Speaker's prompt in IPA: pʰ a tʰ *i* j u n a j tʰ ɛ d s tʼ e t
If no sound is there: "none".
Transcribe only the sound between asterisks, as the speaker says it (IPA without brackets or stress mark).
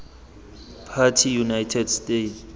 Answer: i